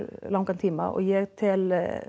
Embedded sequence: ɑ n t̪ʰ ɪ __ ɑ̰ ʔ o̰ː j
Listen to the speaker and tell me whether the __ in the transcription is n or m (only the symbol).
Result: m